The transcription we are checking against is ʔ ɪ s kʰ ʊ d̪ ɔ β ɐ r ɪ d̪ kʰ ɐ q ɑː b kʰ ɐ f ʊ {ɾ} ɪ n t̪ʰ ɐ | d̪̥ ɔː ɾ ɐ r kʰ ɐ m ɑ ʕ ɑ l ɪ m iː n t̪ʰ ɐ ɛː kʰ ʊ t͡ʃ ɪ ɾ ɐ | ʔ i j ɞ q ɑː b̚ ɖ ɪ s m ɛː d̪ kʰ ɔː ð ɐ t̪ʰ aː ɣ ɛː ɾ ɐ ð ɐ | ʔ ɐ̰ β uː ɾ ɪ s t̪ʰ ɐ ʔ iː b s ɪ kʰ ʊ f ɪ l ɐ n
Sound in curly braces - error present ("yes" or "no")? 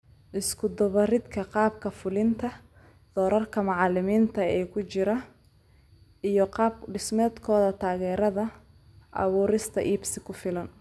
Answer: yes